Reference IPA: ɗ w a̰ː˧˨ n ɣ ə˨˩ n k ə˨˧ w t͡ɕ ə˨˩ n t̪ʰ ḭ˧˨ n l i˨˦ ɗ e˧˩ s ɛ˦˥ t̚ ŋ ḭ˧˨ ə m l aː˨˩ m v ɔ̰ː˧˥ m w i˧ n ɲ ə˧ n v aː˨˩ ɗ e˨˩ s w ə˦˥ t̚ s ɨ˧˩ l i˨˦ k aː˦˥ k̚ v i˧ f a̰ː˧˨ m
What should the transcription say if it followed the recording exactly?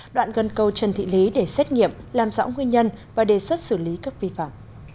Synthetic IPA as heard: ɗ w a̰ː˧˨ n ɣ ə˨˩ n k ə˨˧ w t͡ɕ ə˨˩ n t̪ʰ ḭ˧˨ l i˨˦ ɗ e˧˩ s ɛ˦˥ t̚ ŋ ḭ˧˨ ə m l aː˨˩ m z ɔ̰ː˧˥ ŋ w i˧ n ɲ ə˧ n v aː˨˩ ɗ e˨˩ s w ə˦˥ t̚ s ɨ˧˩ l i˨˦ k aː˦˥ k̚ v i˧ f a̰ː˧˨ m